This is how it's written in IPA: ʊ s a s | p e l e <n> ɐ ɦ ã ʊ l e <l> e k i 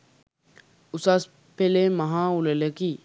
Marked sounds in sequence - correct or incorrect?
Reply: incorrect: m, correct

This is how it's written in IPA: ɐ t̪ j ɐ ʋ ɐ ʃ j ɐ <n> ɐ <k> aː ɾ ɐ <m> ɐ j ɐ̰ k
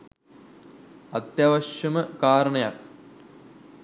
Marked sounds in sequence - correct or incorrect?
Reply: incorrect: m, correct, incorrect: ɳ

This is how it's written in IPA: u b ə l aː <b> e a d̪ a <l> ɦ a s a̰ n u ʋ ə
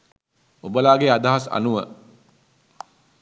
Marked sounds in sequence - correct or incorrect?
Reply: incorrect: ɡ, incorrect: none

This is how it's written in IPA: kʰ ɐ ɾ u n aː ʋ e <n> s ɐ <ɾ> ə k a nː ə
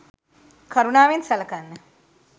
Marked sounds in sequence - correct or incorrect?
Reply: correct, incorrect: l

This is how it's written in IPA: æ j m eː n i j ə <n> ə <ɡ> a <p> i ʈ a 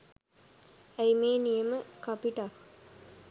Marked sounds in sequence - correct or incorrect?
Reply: incorrect: m, incorrect: k, correct

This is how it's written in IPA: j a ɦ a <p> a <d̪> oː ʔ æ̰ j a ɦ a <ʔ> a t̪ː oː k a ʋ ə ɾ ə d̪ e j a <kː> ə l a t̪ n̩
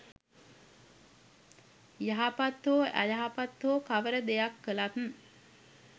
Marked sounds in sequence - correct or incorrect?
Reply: correct, incorrect: t̪, incorrect: p, correct

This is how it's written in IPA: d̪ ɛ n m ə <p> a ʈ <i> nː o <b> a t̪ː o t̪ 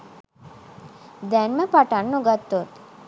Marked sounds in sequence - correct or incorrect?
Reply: correct, incorrect: a, incorrect: ɡ

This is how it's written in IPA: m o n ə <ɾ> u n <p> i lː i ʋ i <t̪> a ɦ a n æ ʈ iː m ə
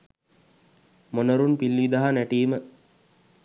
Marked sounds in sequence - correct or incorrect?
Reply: correct, correct, incorrect: d̪

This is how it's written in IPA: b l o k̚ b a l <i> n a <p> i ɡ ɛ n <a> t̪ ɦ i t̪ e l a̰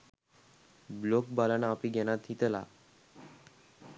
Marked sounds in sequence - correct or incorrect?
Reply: incorrect: a, correct, correct

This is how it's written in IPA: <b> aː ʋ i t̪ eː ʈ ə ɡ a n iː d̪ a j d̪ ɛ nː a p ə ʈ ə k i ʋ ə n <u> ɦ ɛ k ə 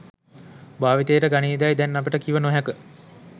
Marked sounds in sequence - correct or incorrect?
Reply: correct, incorrect: o

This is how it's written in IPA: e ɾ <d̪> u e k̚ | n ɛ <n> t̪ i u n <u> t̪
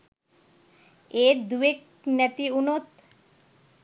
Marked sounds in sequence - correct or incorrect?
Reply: correct, incorrect: none, incorrect: o

